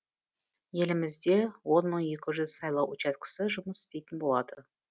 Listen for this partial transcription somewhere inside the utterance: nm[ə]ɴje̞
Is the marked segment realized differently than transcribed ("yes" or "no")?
no